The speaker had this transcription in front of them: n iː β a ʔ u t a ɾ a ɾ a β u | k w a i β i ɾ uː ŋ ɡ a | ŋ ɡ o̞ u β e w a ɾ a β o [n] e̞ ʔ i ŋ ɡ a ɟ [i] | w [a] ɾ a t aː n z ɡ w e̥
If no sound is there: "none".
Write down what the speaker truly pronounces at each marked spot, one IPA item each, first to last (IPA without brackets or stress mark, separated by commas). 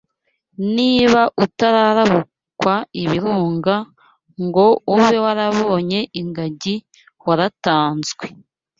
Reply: ɲ, i, a